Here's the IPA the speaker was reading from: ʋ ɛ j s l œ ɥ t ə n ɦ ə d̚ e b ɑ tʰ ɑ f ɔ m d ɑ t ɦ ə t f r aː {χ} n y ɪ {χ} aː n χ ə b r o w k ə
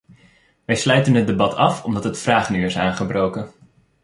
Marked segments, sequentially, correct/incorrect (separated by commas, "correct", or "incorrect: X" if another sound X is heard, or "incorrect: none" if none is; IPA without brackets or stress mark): correct, incorrect: s